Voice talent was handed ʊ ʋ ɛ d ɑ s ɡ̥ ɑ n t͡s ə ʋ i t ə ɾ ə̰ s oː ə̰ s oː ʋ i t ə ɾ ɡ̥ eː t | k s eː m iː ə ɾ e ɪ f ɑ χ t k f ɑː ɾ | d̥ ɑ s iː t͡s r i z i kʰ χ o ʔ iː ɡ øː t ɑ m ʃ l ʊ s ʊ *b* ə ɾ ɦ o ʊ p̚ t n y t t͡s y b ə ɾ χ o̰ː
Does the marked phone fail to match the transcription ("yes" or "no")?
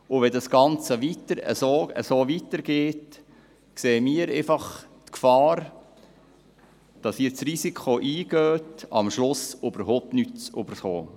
no